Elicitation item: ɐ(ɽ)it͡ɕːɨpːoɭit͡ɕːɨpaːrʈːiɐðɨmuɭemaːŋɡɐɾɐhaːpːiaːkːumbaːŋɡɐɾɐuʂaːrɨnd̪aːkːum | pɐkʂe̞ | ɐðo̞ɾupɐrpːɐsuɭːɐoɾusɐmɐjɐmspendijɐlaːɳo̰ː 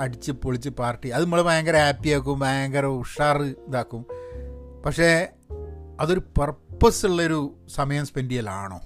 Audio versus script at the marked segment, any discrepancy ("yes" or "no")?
no